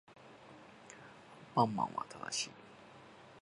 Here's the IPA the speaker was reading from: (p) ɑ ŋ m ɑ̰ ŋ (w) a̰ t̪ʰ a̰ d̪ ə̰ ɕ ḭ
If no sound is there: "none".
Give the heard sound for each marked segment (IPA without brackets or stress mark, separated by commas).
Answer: p, w